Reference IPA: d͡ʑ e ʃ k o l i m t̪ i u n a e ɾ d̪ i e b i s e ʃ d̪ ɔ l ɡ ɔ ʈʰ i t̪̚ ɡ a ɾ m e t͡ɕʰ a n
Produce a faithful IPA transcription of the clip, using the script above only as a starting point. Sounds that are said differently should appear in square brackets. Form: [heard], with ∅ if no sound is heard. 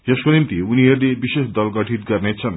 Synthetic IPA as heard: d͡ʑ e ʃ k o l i m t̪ i u n [i] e ɾ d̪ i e b i [ʃ] e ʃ d̪ ɔ l ɡ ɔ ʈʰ i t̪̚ ɡ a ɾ [n] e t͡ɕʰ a n

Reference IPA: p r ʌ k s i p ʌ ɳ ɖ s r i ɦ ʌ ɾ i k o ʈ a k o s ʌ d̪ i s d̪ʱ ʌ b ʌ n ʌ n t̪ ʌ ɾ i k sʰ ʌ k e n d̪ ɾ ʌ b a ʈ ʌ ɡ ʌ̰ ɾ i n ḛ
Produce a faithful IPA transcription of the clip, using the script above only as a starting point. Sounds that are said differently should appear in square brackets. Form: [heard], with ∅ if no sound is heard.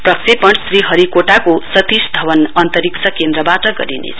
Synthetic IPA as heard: p r ʌ k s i p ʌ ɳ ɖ s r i ɦ ʌ ɾ i k o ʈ a k o s ʌ [t̪] i s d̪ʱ ʌ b ʌ n ʌ n t̪ ʌ ɾ i k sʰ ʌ k e n d̪ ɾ ʌ b a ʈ ʌ ɡ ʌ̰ ɾ i n ḛ

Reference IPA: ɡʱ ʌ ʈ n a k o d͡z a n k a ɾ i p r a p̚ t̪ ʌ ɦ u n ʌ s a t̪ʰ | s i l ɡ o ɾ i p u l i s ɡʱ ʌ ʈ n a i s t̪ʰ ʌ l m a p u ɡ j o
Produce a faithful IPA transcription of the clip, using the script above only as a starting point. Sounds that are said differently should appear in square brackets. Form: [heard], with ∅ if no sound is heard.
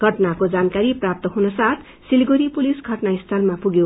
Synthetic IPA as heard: ɡʱ ʌ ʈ n a k o d͡z a n k a ɾ i p r a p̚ t̪ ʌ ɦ u n ʌ s a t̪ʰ | s i l ɡ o ɾ i p u l i s ɡʱ ʌ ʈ n a i s t̪ʰ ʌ l m a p u ɡ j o

